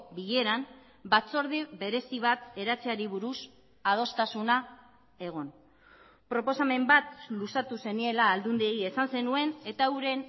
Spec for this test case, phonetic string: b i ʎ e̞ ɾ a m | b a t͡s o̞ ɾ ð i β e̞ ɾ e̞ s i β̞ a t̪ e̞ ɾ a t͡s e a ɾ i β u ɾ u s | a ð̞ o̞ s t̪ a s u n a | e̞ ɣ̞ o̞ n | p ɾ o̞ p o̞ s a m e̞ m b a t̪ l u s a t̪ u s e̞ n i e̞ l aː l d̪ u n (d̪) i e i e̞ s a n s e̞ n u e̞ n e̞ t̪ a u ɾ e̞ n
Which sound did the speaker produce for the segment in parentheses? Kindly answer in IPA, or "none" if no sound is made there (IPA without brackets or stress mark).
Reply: d̪